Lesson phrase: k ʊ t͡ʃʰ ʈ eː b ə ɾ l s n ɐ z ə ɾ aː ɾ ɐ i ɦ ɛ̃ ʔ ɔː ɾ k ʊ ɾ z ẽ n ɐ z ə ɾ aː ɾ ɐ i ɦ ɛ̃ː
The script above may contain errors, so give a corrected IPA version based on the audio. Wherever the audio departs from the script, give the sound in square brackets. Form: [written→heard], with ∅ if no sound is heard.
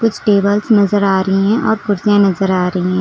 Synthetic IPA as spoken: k ʊ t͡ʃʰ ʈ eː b ə [ɾ→∅] l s n ɐ z ə ɾ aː ɾ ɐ i ɦ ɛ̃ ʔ ɔː ɾ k ʊ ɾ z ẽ n ɐ z ə ɾ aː ɾ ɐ i ɦ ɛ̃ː